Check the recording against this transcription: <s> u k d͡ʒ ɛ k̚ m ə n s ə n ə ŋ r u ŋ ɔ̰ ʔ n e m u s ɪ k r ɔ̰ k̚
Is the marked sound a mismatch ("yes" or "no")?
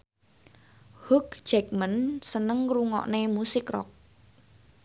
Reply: yes